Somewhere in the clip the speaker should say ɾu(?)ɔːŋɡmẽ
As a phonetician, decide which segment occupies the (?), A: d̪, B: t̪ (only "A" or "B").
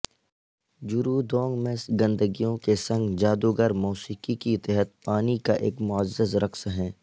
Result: A